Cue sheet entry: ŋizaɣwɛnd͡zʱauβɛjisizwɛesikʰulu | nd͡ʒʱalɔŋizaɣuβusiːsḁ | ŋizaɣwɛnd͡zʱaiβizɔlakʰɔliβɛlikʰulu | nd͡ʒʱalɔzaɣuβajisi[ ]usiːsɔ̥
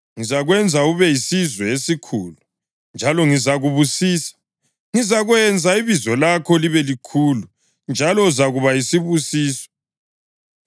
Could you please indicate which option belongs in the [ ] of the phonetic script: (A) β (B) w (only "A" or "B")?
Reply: A